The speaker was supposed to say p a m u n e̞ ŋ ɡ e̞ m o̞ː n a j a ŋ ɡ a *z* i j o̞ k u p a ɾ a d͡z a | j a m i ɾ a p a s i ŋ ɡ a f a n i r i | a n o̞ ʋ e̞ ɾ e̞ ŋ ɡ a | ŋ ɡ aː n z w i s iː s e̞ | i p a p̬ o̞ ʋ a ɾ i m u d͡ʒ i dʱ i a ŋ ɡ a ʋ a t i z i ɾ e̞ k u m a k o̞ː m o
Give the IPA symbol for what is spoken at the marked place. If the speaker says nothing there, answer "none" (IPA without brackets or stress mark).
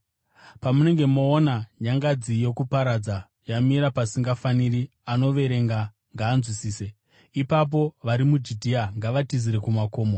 d͡z